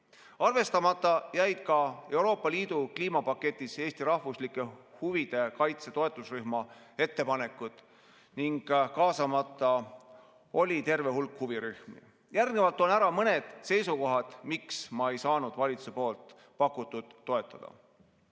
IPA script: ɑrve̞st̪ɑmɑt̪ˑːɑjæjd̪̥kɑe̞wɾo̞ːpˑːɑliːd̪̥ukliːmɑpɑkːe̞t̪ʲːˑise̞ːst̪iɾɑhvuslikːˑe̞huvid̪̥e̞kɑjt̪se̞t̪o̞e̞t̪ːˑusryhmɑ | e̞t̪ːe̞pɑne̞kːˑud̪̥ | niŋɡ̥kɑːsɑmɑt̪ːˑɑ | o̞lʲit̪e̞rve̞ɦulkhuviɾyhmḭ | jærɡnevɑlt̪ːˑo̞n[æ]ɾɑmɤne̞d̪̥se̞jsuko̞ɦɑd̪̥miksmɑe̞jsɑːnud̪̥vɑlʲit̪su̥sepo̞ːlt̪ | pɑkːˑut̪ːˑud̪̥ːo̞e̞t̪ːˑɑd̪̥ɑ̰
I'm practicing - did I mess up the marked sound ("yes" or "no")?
no